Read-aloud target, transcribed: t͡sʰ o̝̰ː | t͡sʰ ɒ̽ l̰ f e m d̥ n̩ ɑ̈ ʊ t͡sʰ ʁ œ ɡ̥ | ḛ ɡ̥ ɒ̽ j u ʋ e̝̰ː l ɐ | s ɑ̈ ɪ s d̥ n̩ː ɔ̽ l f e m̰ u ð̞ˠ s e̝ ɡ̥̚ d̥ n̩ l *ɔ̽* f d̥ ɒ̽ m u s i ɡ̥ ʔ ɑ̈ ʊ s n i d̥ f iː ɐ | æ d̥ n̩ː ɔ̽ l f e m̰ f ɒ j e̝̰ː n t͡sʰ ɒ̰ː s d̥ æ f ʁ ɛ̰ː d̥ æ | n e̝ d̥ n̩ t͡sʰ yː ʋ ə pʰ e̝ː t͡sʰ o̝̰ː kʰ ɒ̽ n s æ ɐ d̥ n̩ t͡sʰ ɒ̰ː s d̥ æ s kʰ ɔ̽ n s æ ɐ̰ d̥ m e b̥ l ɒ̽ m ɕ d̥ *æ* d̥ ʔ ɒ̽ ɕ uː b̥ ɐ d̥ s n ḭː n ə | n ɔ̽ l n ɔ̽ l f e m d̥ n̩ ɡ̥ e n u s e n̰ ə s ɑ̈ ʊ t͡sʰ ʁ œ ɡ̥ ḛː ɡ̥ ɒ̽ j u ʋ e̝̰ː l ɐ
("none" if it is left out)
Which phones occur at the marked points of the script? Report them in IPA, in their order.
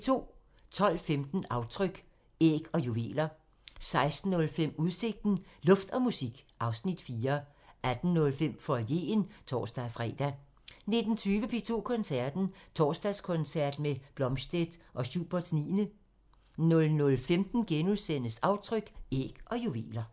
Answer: ɔ̽, e

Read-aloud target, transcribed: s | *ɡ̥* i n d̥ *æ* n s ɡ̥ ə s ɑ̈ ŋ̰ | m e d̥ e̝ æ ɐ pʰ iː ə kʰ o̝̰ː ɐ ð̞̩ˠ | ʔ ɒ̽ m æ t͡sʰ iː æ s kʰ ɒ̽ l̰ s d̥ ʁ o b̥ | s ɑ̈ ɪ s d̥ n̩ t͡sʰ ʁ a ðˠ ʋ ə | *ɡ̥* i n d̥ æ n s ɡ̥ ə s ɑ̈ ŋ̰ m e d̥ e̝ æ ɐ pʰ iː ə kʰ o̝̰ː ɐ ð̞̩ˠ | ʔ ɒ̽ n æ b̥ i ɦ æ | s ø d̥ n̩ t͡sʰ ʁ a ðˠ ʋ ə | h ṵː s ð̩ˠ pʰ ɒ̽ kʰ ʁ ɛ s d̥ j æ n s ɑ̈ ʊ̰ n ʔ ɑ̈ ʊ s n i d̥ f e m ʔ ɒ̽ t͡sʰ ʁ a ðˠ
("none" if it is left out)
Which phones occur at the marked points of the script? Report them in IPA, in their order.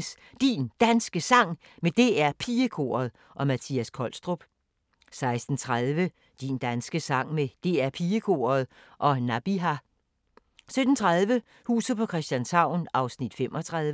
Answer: d̥, æ, d̥

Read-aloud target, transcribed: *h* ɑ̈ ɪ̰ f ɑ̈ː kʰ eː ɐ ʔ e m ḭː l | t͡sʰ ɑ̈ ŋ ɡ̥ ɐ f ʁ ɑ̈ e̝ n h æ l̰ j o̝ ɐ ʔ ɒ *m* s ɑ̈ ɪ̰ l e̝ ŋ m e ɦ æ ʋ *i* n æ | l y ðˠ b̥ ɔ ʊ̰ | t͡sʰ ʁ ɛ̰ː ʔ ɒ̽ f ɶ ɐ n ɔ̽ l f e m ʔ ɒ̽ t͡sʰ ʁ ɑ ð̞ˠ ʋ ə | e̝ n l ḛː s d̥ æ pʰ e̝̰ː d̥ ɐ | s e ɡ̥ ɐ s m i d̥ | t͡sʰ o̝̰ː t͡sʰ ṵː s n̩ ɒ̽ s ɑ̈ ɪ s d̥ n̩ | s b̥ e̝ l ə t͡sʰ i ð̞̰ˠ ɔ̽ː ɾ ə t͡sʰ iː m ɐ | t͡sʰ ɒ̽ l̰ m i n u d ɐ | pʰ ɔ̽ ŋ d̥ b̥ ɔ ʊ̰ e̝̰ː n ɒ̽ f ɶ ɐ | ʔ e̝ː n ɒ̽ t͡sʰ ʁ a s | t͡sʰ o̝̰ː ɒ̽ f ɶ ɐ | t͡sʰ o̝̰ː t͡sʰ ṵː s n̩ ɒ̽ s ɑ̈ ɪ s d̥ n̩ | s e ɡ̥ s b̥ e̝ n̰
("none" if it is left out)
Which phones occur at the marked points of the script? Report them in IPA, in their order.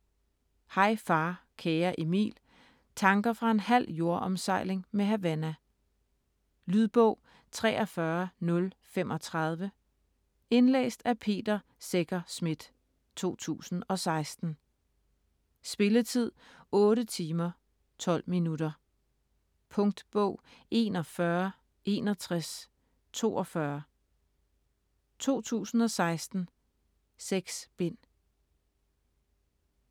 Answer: h, m, æ

